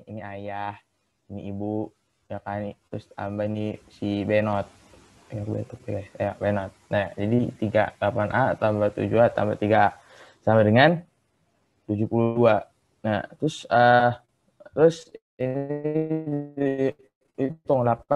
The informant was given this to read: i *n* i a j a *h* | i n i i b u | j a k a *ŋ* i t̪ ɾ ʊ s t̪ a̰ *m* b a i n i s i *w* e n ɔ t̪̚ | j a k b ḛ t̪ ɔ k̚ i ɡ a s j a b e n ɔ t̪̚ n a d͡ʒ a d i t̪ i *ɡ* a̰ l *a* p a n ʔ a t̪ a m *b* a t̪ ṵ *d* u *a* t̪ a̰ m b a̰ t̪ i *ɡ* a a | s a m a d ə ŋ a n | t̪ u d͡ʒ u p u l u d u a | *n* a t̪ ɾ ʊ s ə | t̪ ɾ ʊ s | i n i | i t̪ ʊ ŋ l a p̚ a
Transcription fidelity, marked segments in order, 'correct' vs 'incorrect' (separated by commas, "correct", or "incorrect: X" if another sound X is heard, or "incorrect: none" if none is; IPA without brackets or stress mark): correct, correct, incorrect: n, correct, incorrect: b, correct, correct, correct, incorrect: d͡ʒ, correct, correct, correct